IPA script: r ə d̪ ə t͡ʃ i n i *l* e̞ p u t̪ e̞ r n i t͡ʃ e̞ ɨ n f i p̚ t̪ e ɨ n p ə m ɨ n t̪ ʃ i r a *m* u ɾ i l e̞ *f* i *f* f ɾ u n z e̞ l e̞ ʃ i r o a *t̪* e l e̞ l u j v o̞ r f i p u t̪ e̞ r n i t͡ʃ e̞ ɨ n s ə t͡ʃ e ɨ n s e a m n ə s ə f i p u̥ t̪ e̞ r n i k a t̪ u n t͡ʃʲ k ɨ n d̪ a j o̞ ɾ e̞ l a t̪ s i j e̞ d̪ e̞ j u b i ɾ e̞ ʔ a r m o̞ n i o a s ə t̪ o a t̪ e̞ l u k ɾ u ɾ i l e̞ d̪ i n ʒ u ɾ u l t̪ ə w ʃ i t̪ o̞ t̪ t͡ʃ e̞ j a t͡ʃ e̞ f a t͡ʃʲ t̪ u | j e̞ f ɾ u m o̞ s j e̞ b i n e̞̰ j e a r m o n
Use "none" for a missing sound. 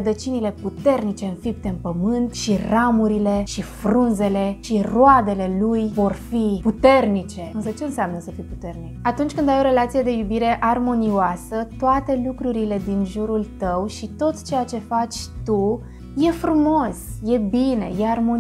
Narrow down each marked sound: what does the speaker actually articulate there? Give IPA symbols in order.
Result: l, m, ʃ, f, d̪

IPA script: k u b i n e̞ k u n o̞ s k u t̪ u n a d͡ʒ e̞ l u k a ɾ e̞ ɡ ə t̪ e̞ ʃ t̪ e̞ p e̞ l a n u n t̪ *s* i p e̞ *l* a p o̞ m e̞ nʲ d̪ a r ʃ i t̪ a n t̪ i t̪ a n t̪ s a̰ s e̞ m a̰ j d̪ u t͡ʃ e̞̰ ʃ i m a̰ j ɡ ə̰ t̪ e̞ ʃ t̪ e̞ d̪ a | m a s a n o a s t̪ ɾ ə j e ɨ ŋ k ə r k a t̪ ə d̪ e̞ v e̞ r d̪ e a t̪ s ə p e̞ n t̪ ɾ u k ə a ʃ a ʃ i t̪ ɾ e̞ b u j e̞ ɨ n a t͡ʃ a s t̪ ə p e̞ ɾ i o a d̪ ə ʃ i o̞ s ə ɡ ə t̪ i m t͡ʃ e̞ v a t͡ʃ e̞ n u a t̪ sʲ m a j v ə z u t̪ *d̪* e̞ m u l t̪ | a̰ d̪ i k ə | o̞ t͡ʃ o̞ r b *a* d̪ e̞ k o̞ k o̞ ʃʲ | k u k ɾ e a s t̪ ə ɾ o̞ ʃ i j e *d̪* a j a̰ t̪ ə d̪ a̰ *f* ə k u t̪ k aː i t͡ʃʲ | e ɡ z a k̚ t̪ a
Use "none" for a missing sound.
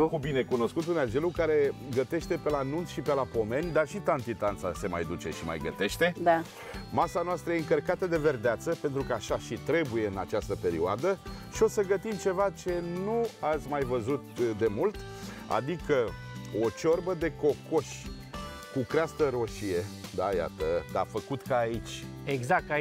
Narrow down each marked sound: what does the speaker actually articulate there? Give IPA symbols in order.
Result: ʃ, l, d̪, ə, d̪, f

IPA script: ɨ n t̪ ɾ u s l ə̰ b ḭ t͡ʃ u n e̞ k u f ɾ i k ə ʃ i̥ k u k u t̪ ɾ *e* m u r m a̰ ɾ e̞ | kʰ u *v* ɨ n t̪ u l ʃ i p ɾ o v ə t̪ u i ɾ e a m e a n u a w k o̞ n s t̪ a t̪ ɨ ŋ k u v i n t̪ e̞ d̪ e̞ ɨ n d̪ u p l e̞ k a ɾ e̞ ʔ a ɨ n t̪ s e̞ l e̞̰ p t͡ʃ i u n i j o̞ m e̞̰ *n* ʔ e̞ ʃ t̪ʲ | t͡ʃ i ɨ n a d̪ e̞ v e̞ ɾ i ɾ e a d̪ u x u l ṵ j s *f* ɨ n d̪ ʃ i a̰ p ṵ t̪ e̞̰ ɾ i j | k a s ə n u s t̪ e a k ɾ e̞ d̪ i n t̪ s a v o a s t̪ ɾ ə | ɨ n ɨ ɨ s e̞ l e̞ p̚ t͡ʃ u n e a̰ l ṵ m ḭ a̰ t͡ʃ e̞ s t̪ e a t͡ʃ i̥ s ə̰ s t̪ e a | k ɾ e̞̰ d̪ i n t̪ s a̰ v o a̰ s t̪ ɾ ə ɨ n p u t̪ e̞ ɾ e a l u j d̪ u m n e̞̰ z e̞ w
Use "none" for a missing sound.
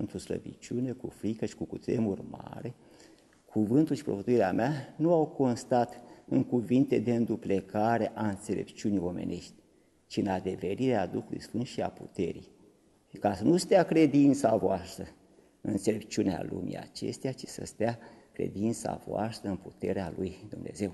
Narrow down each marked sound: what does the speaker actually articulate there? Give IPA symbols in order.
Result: e, v, n, f

